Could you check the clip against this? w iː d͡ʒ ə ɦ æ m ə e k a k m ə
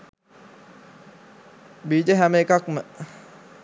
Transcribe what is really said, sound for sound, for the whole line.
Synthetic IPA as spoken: b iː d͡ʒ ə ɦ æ m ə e k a k m ə